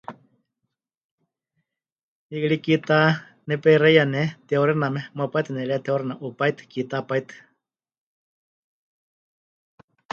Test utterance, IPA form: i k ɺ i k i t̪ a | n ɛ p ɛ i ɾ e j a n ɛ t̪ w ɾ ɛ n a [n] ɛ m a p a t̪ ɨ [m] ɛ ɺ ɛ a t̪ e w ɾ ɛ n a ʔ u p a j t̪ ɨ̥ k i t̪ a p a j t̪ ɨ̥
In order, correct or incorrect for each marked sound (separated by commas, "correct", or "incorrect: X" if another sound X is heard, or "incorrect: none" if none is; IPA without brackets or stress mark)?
incorrect: m, incorrect: n